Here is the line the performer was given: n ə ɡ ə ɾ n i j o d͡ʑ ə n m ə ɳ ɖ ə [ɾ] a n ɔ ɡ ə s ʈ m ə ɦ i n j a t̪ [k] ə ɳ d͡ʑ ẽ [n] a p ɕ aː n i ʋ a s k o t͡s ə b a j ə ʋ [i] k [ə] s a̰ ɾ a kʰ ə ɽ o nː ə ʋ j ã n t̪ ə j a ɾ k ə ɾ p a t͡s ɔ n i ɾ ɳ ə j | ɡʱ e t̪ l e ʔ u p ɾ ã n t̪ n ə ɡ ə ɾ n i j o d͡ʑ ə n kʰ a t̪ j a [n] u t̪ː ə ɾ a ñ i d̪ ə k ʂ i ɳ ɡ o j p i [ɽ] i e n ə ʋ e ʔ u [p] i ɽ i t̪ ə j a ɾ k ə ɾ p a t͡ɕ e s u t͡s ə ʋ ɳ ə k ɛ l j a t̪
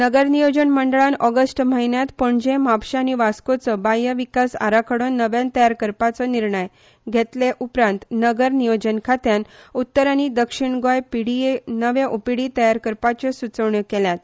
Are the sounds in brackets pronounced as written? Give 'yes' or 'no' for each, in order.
no, no, no, yes, no, yes, yes, yes

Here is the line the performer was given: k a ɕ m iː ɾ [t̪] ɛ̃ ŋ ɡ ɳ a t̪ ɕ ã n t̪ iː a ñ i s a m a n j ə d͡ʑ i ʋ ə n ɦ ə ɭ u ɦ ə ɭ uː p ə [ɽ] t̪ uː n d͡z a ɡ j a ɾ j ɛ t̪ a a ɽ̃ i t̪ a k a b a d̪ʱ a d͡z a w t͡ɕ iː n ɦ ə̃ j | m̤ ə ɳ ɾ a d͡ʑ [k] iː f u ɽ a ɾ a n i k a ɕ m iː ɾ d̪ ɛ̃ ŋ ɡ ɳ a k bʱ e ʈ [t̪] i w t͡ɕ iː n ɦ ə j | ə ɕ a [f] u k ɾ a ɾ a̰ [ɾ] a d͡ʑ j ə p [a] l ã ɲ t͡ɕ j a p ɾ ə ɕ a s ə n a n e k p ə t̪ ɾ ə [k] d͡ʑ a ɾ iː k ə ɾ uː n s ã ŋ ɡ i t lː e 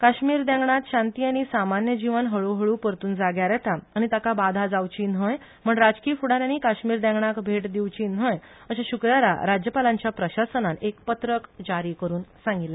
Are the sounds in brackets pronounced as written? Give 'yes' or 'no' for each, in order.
no, no, yes, no, no, yes, yes, yes

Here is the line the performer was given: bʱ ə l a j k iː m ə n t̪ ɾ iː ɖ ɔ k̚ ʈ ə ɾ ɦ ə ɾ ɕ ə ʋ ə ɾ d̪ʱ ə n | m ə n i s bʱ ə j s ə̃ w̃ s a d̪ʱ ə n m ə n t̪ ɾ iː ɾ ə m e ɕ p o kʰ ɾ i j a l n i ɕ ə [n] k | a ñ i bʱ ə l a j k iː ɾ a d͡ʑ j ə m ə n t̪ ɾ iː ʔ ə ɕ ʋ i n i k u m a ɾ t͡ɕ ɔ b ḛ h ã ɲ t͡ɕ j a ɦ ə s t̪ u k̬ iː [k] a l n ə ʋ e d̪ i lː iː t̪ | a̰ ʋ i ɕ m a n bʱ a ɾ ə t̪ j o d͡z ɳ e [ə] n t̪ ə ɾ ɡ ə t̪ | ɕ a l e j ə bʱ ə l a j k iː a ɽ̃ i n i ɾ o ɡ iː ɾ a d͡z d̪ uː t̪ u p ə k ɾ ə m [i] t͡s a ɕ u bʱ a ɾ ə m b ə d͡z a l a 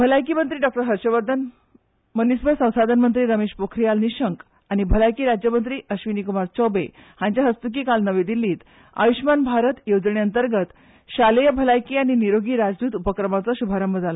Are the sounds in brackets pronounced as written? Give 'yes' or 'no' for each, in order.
no, yes, yes, no

